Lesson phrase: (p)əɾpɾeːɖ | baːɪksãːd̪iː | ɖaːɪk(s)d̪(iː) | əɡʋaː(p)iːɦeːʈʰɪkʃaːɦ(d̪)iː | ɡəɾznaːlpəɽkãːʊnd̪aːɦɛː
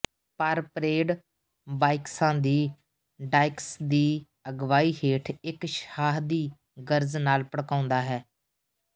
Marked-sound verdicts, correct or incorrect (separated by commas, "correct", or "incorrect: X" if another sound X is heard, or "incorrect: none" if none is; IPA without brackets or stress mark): correct, correct, correct, incorrect: none, correct